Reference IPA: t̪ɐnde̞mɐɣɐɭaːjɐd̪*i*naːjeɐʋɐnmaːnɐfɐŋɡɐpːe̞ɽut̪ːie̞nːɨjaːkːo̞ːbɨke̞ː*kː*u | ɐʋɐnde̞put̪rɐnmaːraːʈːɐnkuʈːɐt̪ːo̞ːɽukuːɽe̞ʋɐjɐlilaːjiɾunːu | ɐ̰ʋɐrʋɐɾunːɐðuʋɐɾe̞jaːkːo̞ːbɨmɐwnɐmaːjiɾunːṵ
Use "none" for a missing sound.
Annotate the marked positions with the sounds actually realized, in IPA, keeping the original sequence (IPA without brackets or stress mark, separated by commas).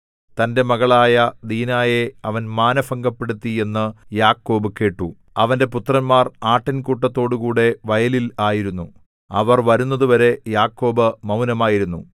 iː, ʈː